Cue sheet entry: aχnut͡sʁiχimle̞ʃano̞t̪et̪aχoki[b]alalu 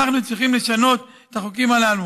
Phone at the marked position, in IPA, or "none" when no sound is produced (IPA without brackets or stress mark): m